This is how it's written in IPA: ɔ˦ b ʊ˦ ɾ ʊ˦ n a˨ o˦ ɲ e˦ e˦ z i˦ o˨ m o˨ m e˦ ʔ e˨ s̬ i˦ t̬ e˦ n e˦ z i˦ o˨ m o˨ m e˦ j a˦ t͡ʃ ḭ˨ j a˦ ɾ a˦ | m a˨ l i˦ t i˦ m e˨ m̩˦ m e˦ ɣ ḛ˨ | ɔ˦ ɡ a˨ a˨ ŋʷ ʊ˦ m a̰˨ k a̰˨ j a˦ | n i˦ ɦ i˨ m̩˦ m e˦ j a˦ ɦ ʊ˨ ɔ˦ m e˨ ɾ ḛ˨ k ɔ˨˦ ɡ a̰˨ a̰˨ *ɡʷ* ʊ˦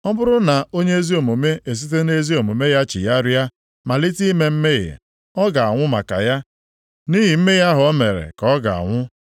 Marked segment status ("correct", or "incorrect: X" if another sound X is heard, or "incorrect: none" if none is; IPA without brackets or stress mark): incorrect: ŋʷ